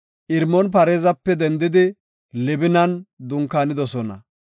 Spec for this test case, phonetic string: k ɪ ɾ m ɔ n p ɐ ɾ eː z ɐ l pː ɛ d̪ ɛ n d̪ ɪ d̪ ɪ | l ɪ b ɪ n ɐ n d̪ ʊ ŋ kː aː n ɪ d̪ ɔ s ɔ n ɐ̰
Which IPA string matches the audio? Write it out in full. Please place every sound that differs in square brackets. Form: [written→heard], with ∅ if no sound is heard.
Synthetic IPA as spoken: [k→ʔ] ɪ ɾ m ɔ n p ɐ ɾ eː z ɐ [l→∅] pː ɛ d̪ ɛ n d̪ ɪ d̪ ɪ | l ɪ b ɪ n ɐ n d̪ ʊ ŋ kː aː n ɪ d̪ ɔ s ɔ n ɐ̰